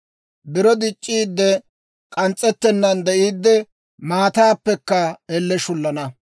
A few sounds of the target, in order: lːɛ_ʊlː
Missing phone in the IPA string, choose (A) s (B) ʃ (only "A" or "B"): B